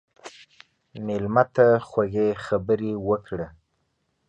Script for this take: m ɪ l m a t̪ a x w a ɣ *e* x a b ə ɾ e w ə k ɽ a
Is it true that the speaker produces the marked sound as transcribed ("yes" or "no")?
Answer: yes